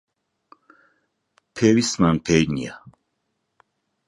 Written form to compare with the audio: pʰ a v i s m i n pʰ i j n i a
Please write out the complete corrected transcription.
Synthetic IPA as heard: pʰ ɛ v i s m a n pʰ ɛ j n i a

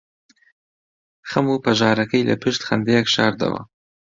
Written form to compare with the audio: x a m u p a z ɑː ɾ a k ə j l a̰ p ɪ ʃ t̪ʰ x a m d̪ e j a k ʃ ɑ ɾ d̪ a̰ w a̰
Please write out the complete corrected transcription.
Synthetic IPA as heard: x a m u p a ʒ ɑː ɾ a k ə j l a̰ p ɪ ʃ t̪ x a n d̪ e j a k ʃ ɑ ɾ d̪ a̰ w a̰

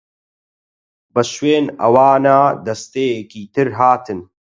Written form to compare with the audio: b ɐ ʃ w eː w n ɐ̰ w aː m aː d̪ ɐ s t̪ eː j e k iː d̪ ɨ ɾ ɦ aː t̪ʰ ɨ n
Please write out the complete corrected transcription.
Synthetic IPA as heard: b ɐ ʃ w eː n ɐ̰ w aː n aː d̪ ɐ s t̪ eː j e k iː t̪ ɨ ɾ ɦ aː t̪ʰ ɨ n

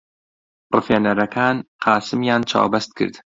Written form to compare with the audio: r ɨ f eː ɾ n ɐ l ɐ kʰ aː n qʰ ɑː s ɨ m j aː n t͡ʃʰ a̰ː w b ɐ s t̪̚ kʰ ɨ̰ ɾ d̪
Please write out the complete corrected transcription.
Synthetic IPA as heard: r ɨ f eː n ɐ ɾ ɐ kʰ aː n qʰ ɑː s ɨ m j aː n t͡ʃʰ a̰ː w b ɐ s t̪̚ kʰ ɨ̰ ɾ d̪

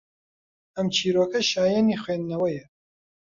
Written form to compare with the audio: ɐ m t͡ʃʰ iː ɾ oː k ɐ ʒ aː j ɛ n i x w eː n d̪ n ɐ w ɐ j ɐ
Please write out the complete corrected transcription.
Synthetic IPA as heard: ɐ m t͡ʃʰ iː ɾ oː k ɐ ʃ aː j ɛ n i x w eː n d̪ n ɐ w ɐ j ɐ

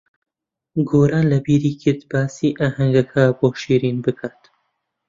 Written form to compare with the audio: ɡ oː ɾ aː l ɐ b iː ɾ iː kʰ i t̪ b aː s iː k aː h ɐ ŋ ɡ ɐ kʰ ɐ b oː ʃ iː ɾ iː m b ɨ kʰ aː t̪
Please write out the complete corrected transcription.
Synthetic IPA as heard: ɡ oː ɾ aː l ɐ b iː ɾ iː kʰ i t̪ b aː s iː ʔ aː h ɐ ŋ ɡ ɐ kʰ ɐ b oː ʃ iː ɾ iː n b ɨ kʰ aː t̪

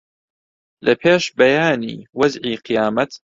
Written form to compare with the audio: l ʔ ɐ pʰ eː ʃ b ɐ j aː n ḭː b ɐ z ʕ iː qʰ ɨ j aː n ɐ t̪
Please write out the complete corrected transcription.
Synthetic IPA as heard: l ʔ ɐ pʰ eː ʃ b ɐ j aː n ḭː w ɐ z ʕ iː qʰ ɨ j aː m ɐ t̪

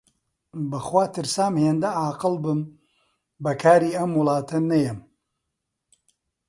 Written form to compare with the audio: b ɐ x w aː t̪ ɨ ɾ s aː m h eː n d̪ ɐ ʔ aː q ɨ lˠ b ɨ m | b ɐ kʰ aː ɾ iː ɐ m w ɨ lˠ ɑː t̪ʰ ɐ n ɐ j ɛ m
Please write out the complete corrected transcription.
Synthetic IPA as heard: b ɐ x w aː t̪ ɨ ɾ s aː m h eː n d̪ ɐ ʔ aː q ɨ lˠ b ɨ m | b ɐ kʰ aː ɾ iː ɐ m w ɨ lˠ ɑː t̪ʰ ɐ n ɐ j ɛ m

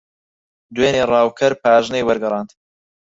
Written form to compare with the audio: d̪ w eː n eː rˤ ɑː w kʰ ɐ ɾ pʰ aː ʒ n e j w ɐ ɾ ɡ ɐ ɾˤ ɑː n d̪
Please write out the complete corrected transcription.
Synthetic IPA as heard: d̪ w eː n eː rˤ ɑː w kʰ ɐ ɾ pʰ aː ʒ n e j w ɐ ɾ ɡ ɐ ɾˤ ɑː n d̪

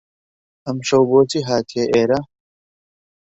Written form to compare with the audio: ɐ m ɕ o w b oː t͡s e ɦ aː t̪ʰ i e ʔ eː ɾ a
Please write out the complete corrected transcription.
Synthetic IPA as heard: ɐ m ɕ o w b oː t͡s i ɦ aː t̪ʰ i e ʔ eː ɾ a

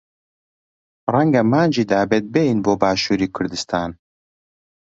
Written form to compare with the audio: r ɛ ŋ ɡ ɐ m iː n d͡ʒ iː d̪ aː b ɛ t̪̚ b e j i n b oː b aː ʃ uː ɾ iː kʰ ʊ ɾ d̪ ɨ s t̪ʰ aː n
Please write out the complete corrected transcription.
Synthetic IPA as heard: r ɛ ŋ ɡ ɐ m aː n d͡ʒ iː d̪ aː b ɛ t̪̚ b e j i n b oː b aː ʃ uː ɾ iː kʰ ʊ ɾ d̪ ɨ s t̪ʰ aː n

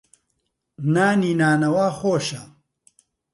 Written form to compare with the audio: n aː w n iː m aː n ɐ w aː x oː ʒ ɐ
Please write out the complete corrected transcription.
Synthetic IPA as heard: n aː n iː n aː n ɐ w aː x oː ʃ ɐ

